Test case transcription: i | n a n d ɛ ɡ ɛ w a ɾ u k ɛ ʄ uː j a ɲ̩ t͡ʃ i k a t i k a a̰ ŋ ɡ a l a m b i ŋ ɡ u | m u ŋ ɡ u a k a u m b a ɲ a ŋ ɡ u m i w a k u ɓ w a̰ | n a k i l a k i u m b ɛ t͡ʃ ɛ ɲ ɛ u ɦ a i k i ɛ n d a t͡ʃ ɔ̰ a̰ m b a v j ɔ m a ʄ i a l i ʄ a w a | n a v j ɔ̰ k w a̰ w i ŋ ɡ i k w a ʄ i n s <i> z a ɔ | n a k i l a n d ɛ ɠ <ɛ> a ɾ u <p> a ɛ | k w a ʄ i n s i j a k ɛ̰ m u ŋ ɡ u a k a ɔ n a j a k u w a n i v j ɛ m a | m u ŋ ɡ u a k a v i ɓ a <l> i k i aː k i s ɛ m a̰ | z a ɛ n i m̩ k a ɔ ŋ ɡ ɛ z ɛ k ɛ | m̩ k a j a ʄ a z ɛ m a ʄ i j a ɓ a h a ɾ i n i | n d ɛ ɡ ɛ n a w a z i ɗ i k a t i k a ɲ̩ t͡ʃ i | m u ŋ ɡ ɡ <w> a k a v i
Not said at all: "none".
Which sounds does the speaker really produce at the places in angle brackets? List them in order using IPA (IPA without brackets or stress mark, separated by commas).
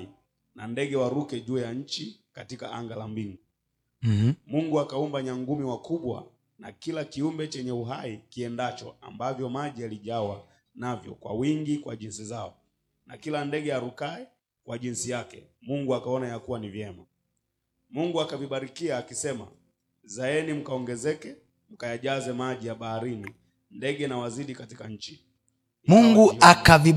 i, ɛ, k, ɾ, u